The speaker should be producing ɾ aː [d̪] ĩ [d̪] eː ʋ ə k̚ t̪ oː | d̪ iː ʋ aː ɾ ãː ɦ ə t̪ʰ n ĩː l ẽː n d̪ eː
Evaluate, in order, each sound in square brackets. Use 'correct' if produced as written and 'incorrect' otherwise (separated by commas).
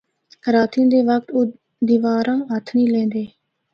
incorrect, correct